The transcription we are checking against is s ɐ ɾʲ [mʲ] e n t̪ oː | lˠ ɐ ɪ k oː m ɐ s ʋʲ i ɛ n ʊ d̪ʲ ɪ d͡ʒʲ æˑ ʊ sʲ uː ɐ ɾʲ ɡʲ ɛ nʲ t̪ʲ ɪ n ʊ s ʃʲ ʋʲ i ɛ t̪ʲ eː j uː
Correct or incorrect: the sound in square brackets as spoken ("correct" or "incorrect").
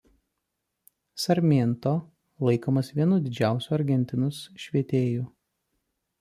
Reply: correct